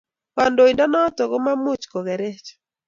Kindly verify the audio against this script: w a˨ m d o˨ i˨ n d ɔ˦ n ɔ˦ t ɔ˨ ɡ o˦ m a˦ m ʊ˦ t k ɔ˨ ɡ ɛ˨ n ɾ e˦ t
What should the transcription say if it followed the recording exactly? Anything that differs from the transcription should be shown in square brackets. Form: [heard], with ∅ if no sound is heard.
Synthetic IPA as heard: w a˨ [n] d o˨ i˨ n d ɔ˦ n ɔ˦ t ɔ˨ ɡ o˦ m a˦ m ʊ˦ [t͡ʃ] k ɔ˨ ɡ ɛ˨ [∅] ɾ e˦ [t͡ʃ]